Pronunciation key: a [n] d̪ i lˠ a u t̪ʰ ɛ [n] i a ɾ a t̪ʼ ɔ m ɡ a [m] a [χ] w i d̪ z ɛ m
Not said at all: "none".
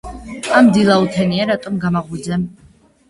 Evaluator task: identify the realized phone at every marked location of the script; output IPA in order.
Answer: m, n, m, ʁ

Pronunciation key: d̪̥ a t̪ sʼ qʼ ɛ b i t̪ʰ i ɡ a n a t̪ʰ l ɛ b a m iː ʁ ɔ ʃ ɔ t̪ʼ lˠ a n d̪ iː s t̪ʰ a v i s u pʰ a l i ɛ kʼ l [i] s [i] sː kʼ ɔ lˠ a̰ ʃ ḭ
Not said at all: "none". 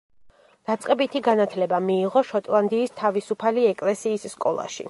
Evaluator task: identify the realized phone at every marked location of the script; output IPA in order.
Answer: ɛ, iː

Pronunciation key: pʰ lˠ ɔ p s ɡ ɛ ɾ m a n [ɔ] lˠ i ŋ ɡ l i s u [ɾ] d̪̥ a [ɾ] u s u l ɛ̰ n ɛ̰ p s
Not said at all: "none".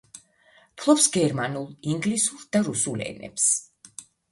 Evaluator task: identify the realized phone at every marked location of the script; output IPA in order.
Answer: u, ɾ, ɾ

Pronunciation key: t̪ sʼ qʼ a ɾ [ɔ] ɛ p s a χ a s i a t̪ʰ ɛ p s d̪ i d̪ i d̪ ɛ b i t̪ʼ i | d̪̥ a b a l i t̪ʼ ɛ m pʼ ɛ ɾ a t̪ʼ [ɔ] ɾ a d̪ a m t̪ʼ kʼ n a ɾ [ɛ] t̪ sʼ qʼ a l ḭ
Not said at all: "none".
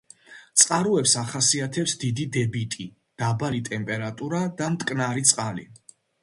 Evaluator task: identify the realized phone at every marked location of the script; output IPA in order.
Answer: u, u, i

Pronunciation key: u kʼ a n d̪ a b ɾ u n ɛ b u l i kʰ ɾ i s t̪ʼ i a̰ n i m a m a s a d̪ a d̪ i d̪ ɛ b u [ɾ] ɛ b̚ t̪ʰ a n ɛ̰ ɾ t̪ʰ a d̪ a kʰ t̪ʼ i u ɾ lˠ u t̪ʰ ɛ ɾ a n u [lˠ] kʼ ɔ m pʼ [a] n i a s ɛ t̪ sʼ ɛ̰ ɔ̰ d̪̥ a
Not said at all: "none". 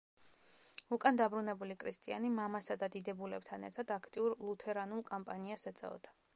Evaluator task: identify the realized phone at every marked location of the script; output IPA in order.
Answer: l, lˠ, a

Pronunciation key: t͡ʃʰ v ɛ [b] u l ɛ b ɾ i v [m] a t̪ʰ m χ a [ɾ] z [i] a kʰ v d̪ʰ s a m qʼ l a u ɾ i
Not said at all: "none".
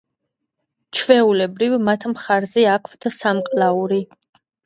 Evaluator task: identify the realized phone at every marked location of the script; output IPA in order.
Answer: none, m, ɾ, ɛ

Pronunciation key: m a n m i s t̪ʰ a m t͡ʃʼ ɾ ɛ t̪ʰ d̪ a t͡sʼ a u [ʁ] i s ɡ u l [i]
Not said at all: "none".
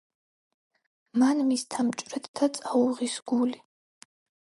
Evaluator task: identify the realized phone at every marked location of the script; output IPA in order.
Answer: ʁ, i

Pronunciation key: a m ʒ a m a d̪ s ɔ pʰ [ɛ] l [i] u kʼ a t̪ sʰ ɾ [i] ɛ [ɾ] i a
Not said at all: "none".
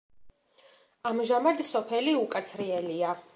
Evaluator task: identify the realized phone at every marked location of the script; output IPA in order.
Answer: ɛ, i, i, l

